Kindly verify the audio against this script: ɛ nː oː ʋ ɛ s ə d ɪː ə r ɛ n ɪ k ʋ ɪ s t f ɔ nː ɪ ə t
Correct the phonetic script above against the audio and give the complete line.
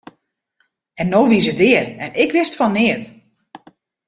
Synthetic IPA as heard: ɛ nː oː ʋ i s ə d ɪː ə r ɛ n ɪ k ʋ ɪ s t f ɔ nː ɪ ə t